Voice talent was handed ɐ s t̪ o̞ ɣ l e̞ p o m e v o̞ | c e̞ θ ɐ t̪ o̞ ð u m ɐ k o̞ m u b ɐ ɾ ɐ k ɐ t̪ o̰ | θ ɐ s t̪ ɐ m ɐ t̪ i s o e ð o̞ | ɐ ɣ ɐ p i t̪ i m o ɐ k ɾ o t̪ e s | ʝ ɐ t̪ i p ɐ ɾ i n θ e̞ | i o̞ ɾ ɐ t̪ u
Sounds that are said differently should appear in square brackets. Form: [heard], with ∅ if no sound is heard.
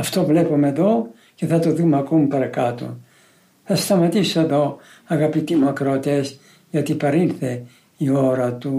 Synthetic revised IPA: ɐ [f] t̪ o̞ [v] l e̞ p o m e [ð] o̞ | c e̞ θ ɐ t̪ o̞ ð u m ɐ k o̞ m u [p] ɐ ɾ ɐ k ɐ t̪ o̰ | θ ɐ s t̪ ɐ m ɐ t̪ i s o e ð o̞ | ɐ ɣ ɐ p i t̪ i m [u] ɐ k ɾ o t̪ e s | ʝ ɐ t̪ i p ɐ ɾ i n θ e̞ | i o̞ ɾ ɐ t̪ u